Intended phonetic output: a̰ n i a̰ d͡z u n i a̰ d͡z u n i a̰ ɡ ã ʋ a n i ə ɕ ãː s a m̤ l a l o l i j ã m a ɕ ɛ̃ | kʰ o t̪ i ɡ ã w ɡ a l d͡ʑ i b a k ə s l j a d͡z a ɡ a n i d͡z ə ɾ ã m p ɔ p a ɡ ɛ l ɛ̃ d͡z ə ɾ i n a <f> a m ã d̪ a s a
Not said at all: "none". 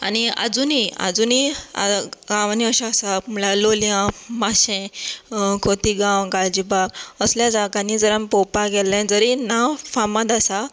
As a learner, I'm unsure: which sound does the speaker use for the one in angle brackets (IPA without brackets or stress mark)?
f